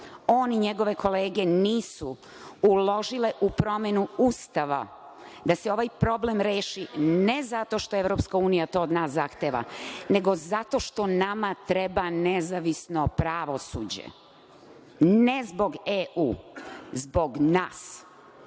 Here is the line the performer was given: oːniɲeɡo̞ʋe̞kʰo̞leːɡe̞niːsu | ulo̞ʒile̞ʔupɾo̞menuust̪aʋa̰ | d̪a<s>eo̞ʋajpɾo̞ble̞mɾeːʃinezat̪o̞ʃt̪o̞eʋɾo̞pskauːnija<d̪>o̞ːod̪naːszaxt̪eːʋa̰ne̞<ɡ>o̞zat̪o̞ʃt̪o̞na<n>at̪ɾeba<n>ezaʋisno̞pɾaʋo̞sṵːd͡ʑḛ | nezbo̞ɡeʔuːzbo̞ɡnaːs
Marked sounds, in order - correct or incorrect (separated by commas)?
correct, incorrect, correct, incorrect, correct